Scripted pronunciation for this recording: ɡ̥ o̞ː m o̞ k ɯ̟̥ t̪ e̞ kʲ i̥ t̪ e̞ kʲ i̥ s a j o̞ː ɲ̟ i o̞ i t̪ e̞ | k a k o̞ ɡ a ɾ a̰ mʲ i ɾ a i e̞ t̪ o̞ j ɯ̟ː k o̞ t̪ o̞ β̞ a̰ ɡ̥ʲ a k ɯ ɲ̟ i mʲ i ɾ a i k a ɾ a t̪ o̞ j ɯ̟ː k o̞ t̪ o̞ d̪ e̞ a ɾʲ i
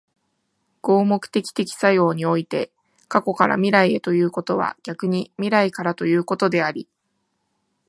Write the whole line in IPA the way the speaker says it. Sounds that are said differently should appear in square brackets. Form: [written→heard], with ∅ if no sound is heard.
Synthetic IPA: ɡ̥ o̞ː m o̞ k ɯ̟̥ t̪ e̞ kʲ i̥ t̪ e̞ kʲ i̥ s a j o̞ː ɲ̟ i o̞ i t̪ e̞ | k a k o̞ [ɡ→k] a ɾ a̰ mʲ i ɾ a i e̞ t̪ o̞ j ɯ̟ː k o̞ t̪ o̞ β̞ a̰ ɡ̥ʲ a k ɯ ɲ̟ i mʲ i ɾ a i k a ɾ a t̪ o̞ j ɯ̟ː k o̞ t̪ o̞ d̪ e̞ a ɾʲ i